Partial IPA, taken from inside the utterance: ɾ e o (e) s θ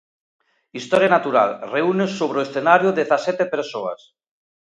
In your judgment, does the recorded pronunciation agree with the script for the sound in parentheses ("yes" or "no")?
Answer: yes